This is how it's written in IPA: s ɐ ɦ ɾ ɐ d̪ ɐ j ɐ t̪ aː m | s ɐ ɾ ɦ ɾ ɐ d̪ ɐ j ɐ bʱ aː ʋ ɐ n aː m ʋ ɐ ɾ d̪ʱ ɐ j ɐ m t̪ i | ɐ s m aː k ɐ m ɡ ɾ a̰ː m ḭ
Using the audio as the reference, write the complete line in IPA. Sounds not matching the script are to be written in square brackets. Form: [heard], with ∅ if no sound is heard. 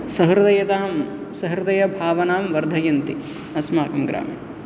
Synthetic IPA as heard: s ɐ ɦ ɾ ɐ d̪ ɐ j ɐ t̪ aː m | s ɐ [∅] ɦ ɾ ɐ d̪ ɐ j ɐ bʱ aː ʋ ɐ n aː m ʋ ɐ ɾ d̪ʱ ɐ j ɐ [n] t̪ i | ɐ s m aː k ɐ m ɡ ɾ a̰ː m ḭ